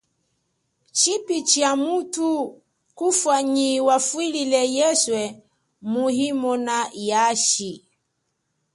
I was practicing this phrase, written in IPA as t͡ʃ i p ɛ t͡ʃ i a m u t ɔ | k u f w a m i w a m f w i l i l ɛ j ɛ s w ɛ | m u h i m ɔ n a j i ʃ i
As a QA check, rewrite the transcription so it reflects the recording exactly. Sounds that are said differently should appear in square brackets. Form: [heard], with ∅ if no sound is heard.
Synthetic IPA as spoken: t͡ʃ i p [i] t͡ʃ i a m u t [u] | k u f w a [ɲ] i w a [∅] f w i l i l ɛ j ɛ s w ɛ | m u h i m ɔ n a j [a] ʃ i